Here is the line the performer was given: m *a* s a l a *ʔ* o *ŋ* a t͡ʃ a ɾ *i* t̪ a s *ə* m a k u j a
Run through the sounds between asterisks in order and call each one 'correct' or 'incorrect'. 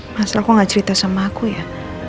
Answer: correct, incorrect: k, correct, correct, incorrect: a

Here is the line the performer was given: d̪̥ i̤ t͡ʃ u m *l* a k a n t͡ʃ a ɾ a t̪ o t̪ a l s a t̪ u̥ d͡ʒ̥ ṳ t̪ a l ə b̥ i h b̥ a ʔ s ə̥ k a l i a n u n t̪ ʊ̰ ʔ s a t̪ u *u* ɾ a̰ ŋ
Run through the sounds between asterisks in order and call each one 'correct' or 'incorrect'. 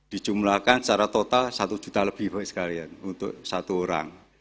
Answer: correct, incorrect: o

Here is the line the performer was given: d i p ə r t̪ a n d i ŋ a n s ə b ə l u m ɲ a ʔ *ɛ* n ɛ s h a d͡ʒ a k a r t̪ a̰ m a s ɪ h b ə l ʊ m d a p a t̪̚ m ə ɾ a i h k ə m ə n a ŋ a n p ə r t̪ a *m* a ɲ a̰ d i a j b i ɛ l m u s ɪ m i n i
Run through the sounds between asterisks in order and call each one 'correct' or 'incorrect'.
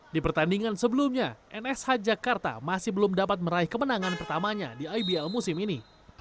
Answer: correct, correct

